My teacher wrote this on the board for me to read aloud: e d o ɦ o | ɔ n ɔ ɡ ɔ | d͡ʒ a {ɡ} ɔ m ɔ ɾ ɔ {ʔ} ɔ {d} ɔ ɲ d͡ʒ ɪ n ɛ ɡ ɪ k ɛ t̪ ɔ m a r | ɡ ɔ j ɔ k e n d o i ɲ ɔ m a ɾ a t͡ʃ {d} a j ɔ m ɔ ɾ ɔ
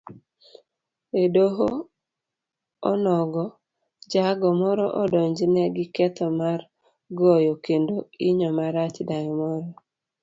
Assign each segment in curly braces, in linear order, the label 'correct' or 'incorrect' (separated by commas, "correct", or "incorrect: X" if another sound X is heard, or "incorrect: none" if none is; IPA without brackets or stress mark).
correct, correct, correct, correct